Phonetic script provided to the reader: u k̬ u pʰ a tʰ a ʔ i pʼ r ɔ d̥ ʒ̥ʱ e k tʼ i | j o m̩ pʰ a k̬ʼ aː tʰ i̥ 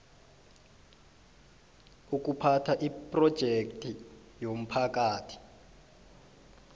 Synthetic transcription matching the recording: u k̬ u pʰ a tʰ a ʔ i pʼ r ɔ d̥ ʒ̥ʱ e k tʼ i | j o m̩ pʰ a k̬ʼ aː tʰ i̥